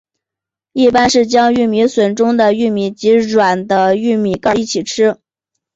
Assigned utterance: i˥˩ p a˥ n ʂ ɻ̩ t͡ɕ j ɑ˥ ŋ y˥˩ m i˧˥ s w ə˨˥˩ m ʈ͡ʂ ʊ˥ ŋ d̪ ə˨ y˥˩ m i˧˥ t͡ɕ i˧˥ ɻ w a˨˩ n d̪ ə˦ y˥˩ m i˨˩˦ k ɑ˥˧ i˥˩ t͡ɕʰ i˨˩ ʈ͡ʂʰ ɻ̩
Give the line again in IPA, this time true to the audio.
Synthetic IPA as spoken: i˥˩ p a˥ n ʂ ɻ̩ t͡ɕ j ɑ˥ ŋ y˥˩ m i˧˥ s w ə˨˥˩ n ʈ͡ʂ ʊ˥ ŋ d̪ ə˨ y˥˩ m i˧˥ t͡ɕ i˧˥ ɻ w a˨˩ n d̪ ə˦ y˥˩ m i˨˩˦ k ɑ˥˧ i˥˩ t͡ɕʰ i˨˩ ʈ͡ʂʰ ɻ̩